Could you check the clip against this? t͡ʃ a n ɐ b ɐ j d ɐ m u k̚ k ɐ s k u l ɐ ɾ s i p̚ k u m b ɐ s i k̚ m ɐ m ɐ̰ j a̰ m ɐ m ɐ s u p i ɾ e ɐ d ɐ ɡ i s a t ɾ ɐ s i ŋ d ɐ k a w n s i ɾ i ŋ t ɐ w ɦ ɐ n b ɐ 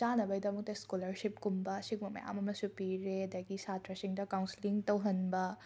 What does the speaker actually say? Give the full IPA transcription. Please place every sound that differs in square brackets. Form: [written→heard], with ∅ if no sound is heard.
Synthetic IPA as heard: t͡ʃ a n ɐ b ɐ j d ɐ m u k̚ [k→t] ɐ s k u l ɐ ɾ s i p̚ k u m b ɐ s i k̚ m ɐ m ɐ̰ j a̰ m ɐ m ɐ s u p i ɾ e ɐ d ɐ ɡ i s a t ɾ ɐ s i ŋ d ɐ k a w n s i [ɾ→l] i ŋ t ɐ w ɦ ɐ n b ɐ